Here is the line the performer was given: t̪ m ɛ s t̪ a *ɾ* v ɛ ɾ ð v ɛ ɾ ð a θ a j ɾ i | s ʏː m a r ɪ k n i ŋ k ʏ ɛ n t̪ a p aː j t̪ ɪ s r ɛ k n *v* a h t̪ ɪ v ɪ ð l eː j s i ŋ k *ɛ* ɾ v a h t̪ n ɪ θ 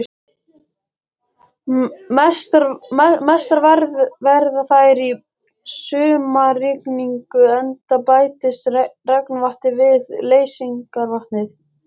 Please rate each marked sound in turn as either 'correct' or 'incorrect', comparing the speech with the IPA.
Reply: correct, correct, incorrect: a

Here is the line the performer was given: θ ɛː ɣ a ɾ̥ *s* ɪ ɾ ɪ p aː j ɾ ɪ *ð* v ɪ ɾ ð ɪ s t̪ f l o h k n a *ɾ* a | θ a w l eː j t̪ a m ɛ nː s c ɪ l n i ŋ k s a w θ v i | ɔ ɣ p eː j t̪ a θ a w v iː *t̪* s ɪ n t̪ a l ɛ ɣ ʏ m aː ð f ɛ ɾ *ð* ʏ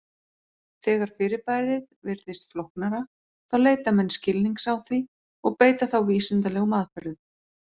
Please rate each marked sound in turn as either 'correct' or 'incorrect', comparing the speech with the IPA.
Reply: incorrect: f, correct, correct, incorrect: none, correct

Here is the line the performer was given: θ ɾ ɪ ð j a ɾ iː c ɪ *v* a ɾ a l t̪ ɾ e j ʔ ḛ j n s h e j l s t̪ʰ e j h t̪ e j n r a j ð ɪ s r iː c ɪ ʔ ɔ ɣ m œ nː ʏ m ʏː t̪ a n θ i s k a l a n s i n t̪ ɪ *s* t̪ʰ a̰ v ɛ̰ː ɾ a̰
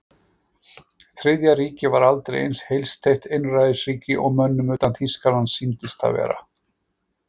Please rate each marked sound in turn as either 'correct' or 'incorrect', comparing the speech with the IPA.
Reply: correct, correct

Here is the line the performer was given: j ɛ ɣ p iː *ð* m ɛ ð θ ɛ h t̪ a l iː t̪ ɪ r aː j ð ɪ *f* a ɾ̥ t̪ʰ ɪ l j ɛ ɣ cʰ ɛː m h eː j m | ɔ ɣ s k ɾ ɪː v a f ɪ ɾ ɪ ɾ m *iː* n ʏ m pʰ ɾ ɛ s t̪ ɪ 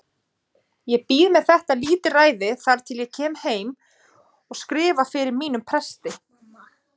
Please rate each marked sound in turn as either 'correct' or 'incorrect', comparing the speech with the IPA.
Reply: correct, incorrect: θ, correct

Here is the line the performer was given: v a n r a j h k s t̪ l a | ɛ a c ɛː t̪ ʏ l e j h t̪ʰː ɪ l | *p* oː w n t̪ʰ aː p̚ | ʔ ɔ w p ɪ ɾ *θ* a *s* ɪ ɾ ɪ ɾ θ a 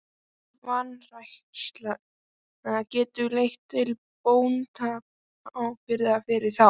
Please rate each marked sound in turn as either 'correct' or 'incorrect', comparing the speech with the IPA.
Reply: correct, incorrect: ð, incorrect: f

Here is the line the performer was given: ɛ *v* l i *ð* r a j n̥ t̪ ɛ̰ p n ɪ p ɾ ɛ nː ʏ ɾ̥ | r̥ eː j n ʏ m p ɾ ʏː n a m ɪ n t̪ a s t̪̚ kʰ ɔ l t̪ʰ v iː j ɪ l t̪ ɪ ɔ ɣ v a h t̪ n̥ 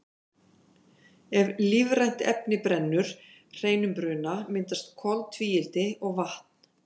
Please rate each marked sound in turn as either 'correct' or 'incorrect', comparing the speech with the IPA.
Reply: correct, incorrect: v

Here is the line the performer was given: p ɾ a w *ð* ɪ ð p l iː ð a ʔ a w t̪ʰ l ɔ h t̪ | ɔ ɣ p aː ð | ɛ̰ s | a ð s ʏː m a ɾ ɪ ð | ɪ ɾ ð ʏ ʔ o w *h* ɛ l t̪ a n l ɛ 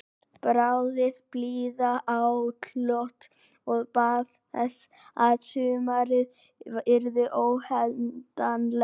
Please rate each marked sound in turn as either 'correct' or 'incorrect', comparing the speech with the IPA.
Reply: correct, correct

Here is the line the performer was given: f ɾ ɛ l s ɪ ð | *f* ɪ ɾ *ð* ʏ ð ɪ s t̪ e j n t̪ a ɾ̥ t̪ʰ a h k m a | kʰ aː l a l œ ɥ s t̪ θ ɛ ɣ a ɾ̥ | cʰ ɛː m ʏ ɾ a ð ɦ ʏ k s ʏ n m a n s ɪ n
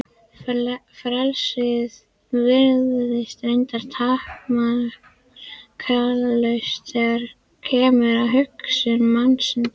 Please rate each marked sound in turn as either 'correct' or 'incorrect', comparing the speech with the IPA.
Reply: incorrect: v, correct

